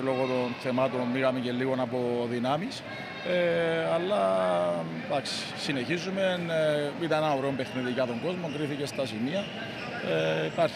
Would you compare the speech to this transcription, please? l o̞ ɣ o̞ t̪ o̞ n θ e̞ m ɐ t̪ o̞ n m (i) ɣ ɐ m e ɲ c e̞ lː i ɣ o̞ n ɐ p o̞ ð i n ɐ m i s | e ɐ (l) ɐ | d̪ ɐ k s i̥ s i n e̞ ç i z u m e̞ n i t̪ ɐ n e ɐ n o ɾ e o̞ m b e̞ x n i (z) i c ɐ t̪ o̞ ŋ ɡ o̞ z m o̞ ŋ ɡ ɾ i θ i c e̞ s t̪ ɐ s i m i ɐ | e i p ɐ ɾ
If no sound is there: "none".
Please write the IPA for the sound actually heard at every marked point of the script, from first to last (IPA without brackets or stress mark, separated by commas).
i, lː, ð